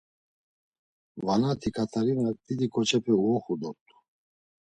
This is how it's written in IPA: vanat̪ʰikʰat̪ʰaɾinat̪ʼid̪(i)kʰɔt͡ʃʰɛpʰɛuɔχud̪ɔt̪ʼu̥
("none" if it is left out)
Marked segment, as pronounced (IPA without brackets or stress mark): i